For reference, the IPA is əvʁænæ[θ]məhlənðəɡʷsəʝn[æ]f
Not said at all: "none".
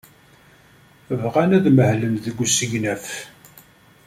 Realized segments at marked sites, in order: ð, æ

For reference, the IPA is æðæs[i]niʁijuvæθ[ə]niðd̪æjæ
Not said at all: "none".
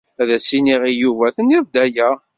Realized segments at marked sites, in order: i, ə

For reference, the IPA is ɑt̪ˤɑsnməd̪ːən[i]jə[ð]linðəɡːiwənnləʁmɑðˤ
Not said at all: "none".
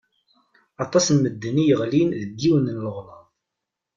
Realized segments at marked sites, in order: i, ʁ

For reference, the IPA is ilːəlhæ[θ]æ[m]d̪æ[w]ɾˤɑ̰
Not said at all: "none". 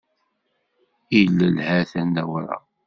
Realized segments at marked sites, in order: θ, n, w

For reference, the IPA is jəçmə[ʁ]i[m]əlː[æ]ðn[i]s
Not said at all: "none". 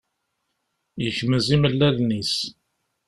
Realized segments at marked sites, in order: z, m, æ, i

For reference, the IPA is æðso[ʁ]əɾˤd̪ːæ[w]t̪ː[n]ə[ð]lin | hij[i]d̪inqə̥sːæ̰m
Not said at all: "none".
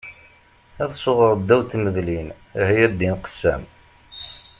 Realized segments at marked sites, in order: ʁ, w, m, ð, æ

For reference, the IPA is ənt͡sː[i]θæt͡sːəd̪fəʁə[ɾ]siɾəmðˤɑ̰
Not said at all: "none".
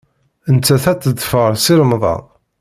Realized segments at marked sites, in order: æ, ɾ

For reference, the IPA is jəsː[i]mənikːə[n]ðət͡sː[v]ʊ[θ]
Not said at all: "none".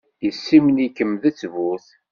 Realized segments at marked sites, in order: i, m, v, θ

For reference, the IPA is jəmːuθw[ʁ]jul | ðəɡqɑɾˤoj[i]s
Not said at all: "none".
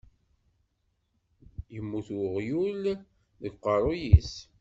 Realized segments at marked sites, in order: ʁ, i

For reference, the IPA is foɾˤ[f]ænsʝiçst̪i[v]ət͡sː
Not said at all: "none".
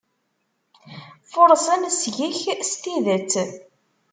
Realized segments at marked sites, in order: s, ð

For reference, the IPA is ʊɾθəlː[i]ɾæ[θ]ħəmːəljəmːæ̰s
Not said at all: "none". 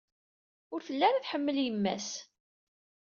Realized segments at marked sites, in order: æ, θ

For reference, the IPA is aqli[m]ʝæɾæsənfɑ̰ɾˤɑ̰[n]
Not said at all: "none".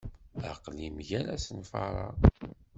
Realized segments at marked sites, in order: m, none

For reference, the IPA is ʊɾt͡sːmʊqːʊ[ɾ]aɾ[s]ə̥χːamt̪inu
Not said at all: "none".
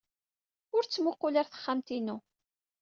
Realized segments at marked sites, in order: l, θ

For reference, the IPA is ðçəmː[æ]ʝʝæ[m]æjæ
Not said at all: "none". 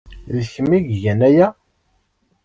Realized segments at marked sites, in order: i, n

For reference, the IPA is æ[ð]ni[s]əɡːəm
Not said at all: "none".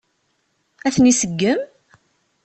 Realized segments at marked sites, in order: θ, s

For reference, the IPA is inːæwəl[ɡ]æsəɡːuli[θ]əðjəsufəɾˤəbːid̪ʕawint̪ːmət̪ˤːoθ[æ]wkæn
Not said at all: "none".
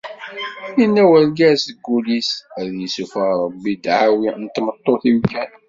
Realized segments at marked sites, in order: ɡ, s, i

